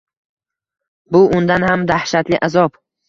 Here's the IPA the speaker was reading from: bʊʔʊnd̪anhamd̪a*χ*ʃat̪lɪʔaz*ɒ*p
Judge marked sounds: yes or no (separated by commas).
no, yes